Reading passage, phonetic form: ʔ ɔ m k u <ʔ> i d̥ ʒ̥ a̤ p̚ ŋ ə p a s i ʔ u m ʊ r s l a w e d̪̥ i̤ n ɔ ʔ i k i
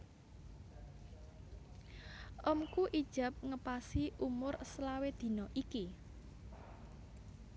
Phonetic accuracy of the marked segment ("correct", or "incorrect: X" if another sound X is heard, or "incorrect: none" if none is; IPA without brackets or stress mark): correct